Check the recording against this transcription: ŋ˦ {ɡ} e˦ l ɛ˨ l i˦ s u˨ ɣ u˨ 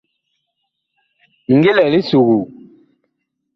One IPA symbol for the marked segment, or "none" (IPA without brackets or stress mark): ɡ